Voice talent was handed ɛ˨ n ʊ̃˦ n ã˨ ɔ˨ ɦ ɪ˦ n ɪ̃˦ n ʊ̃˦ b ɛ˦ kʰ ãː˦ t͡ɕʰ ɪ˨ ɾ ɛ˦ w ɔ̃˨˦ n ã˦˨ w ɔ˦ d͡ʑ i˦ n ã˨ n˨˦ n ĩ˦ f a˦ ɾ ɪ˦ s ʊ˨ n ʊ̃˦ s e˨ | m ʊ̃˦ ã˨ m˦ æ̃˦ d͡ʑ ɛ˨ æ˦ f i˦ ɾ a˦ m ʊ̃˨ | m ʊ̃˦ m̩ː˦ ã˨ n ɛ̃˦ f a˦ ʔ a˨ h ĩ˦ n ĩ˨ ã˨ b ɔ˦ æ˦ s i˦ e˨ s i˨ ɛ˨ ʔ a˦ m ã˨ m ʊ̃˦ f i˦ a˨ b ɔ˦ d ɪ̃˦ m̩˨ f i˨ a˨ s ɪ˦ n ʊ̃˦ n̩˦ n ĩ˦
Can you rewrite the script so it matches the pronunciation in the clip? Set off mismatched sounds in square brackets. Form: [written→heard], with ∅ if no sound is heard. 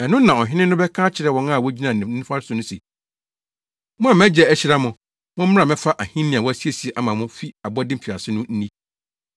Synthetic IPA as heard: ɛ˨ n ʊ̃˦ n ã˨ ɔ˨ ɦ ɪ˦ n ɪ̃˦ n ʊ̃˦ b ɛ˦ kʰ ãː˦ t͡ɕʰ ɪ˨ ɾ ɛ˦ w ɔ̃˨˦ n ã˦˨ w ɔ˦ d͡ʑ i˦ n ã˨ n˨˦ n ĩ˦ f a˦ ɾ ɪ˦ s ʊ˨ n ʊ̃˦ s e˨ | m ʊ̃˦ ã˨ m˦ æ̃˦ d͡ʑ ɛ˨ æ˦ [f→ɕ] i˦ ɾ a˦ m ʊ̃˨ | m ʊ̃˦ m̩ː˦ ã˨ [n→m] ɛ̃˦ f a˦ ʔ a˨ h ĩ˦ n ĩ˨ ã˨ [b→w] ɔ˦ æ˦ s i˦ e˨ s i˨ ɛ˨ ʔ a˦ m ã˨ m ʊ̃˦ f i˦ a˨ b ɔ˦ d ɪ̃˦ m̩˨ f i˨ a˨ s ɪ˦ n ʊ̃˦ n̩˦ n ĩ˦